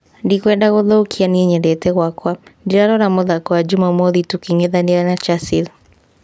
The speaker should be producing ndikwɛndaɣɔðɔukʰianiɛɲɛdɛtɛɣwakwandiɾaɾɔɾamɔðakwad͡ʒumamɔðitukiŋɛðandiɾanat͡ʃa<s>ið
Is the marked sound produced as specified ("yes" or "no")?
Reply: yes